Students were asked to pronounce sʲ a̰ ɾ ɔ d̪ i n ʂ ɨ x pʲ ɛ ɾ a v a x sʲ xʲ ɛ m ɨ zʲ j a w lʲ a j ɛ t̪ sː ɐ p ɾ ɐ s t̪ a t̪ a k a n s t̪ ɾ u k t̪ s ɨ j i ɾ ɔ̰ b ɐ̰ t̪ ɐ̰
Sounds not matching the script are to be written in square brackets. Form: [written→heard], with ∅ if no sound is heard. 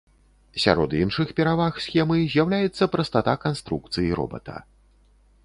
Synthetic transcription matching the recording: sʲ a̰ ɾ ɔ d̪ i n ʂ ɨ x pʲ ɛ ɾ a v a x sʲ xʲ ɛ m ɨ zʲ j a w lʲ a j ɛ t̪ sː ɐ p ɾ ɐ s t̪ a t̪ a k a n s t̪ ɾ u k t̪ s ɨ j i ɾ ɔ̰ b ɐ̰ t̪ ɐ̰